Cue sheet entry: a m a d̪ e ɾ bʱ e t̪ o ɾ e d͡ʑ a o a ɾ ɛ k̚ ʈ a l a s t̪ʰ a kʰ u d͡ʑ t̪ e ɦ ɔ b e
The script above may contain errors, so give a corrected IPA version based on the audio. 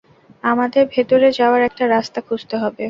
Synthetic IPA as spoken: a m a d̪ e ɾ bʱ e t̪ o ɾ e d͡ʑ a o a ɾ ɛ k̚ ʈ a ɾ a s t̪ a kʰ u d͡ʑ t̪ e ɦ ɔ b e